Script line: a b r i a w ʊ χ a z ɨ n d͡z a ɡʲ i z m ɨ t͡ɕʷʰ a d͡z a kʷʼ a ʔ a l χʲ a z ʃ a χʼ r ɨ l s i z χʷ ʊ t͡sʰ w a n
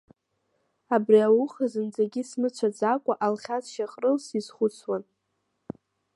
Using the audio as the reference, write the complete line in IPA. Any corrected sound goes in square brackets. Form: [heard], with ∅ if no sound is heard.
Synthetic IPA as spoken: a b r i a w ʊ χ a z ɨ n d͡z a ɡʲ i [s] m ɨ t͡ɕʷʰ a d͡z a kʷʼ a ʔ a l χʲ a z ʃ a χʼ r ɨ l s i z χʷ ʊ t͡sʰ w a n